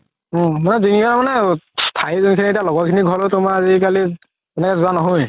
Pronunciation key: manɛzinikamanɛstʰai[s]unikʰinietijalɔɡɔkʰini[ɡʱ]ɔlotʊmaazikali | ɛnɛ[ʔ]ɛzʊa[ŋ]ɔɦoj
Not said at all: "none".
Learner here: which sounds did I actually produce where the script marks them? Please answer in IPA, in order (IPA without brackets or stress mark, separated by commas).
z, ɡʱ, k, n